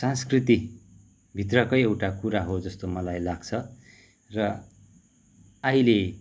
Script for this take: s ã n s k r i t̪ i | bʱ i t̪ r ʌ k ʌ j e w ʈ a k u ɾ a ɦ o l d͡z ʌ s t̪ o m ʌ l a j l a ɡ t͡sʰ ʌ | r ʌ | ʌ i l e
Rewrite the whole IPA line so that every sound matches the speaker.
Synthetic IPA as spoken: s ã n s k r i t̪ i | bʱ i t̪ r ʌ k ʌ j e w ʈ a k u ɾ a ɦ o d͡z ʌ s t̪ o m ʌ l a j l a ɡ t͡sʰ ʌ | r ʌ | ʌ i l e